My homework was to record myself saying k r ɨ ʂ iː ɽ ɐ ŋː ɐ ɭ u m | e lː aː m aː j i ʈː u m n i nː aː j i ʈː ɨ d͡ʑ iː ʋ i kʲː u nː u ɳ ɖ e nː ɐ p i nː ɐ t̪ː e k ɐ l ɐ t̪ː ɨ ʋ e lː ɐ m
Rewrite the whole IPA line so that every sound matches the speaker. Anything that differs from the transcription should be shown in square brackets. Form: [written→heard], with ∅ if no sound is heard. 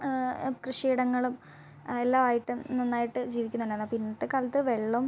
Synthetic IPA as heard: k r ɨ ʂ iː ɽ ɐ ŋː ɐ ɭ u m | e lː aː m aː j i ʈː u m n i nː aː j i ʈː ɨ d͡ʑ iː ʋ i kʲː u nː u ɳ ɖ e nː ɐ p i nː ɐ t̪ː e k ɐ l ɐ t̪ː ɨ ʋ e [lː→ɭː] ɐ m